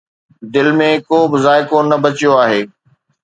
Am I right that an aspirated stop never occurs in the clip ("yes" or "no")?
yes